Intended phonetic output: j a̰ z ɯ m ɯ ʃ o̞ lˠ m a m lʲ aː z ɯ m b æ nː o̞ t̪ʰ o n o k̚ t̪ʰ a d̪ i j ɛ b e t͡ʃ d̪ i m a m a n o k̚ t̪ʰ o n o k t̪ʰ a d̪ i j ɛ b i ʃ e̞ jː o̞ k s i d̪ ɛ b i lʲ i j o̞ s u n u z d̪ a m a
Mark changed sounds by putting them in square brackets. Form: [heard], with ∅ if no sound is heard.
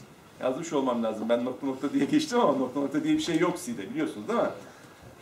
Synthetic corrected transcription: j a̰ z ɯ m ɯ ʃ o̞ lˠ m a m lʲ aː z ɯ m b æ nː o̞ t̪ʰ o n o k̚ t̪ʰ a d̪ i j ɛ [ɟ] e t͡ʃ [t̪] i m a m a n o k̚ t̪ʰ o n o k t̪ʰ a d̪ i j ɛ b i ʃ e̞ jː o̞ k s i d̪ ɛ b i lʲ i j o̞ s u n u z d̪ a m a